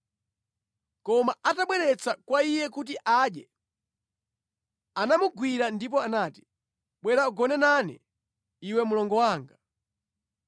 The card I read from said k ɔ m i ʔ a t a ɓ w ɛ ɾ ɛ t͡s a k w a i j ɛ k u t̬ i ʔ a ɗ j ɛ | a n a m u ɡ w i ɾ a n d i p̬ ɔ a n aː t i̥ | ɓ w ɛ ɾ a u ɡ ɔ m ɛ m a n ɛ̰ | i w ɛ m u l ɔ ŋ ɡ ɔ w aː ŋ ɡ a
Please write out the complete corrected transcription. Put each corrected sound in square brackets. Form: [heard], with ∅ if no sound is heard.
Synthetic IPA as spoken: k ɔ m [a] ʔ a t a ɓ w ɛ ɾ ɛ t͡s a k w a i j ɛ k u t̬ i ʔ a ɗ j ɛ | a n a m u ɡ w i ɾ a n d i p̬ ɔ a n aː t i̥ | ɓ w ɛ ɾ a u ɡ ɔ [n] ɛ [n] a n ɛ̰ | i w ɛ m u l ɔ ŋ ɡ ɔ w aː ŋ ɡ a